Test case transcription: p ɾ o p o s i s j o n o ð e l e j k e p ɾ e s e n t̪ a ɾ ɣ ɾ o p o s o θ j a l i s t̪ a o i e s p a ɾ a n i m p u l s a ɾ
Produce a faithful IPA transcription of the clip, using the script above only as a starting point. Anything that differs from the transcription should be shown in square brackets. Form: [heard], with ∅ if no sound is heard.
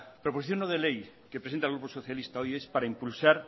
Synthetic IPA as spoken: p ɾ o p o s i [θ] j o n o ð e l e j k e p ɾ e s e n t̪ a [l] ɣ ɾ [u] p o s o θ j a l i s t̪ a o [j] e s p a ɾ a [∅] i m p u l s a ɾ